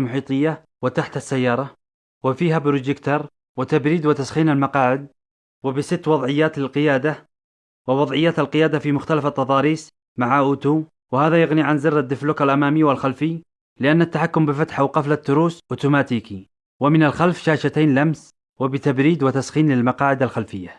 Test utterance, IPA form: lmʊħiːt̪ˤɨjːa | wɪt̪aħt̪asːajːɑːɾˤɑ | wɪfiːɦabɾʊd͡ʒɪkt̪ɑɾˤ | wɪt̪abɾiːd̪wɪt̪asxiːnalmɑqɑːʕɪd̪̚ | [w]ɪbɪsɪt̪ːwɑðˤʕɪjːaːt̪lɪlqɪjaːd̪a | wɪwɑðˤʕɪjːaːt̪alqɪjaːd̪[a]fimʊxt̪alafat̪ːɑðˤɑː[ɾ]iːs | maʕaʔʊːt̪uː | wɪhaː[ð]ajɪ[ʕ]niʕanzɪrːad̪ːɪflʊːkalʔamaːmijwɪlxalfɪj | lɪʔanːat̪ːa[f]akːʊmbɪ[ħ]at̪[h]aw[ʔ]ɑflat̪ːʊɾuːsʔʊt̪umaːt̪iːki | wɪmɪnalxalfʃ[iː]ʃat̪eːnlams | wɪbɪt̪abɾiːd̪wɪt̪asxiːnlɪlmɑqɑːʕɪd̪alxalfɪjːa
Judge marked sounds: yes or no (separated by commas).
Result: yes, yes, yes, yes, no, no, no, no, no, no